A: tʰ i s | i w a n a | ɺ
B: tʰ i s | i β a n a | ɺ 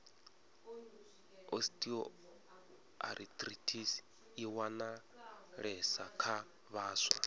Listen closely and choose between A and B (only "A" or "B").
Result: A